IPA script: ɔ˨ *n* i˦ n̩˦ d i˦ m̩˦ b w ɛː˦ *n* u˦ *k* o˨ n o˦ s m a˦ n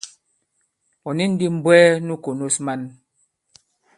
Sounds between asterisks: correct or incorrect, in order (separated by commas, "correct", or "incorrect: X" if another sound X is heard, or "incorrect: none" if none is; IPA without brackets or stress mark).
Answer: correct, correct, correct